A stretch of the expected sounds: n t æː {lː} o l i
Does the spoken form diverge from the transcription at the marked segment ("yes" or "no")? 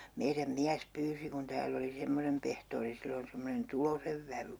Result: no